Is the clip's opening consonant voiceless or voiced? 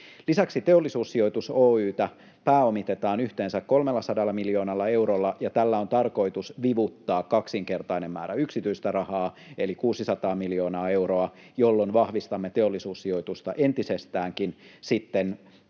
voiced